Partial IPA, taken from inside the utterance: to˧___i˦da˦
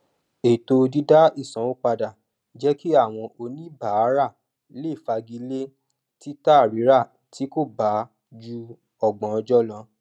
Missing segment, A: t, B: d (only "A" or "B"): B